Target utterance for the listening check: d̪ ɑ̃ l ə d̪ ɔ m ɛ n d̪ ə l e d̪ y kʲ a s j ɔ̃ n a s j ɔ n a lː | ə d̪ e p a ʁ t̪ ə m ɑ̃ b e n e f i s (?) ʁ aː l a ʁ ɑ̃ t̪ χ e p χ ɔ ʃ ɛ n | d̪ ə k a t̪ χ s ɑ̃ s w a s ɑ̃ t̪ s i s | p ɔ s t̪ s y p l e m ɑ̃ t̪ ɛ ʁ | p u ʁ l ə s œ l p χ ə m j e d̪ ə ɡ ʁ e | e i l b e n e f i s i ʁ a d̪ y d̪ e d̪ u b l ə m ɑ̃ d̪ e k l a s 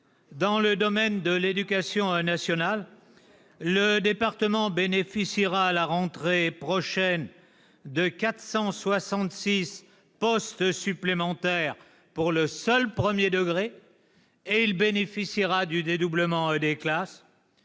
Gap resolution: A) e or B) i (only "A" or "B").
B